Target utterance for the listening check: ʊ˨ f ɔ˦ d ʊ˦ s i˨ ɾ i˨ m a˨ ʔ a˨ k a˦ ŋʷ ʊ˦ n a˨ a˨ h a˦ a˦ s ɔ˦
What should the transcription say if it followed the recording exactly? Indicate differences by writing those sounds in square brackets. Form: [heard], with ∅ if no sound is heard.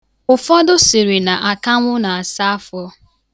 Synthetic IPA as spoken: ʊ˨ f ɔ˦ d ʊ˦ s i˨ ɾ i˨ [n] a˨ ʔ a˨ k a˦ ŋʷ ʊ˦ n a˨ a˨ [s] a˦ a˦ [f] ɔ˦